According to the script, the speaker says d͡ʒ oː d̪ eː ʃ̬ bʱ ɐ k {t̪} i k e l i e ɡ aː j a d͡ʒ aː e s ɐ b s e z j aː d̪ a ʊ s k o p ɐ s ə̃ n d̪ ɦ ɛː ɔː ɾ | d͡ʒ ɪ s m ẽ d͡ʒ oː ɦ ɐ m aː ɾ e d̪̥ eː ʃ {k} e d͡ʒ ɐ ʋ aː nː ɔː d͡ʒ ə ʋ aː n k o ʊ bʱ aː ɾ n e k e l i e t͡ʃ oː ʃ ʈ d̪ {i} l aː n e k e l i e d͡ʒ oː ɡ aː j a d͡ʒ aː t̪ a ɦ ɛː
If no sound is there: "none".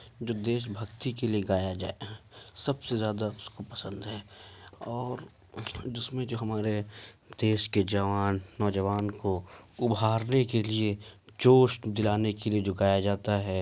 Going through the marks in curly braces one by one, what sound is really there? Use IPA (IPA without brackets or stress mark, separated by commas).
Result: t̪, k, ɪ